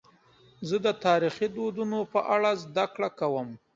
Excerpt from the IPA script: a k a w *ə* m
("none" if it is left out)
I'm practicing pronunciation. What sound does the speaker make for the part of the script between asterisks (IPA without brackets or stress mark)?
ə